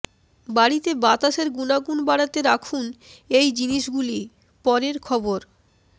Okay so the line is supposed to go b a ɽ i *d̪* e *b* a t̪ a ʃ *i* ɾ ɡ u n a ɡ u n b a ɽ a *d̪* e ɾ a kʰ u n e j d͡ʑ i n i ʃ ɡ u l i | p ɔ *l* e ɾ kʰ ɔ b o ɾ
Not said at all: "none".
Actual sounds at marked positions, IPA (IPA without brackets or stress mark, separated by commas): t̪, b, e, t̪, ɾ